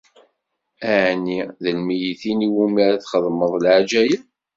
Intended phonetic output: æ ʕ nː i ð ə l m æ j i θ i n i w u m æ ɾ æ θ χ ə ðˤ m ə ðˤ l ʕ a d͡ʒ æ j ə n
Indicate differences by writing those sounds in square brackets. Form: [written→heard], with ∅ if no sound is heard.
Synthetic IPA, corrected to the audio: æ ʕ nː i ð ə l m [æ→i] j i θ i n i w u m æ ɾ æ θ χ ə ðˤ m ə ðˤ l ʕ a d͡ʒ æ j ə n